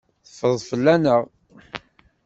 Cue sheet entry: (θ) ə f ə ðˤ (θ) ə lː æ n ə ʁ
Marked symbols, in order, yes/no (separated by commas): yes, no